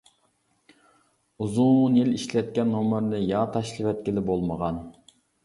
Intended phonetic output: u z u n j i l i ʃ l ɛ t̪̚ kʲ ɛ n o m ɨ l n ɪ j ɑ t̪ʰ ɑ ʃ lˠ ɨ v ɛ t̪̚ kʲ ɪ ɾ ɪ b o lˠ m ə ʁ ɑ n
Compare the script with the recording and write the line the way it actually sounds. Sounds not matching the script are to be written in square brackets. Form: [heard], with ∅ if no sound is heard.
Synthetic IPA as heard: u z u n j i l i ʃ l ɛ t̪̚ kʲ ɛ n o m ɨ [ɾ] n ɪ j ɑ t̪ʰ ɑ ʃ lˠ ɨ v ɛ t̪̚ kʲ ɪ [l] ɪ b o lˠ m ə ʁ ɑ n